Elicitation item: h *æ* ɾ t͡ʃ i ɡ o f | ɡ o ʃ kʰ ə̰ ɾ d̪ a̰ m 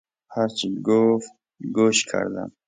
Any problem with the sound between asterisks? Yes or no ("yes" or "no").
yes